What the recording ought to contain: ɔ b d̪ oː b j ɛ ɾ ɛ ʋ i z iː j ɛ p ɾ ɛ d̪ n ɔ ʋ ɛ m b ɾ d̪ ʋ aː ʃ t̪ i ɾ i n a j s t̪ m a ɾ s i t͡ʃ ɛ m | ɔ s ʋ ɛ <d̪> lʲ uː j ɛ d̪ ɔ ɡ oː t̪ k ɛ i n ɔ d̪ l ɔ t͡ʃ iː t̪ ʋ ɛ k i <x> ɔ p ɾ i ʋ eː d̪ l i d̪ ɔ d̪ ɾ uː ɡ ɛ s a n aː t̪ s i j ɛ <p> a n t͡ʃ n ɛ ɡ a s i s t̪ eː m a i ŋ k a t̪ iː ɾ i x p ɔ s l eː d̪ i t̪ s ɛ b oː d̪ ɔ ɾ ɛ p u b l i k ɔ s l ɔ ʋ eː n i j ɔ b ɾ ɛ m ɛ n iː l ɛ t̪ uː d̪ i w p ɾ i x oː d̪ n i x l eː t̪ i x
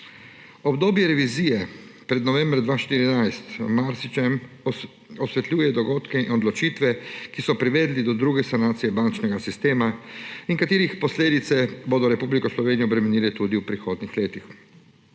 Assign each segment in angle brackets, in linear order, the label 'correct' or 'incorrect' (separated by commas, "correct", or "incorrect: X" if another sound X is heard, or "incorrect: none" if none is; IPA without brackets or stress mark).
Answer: incorrect: t̪, incorrect: s, incorrect: b